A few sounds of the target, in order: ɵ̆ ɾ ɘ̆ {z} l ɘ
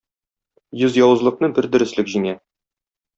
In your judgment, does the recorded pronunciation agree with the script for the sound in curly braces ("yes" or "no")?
no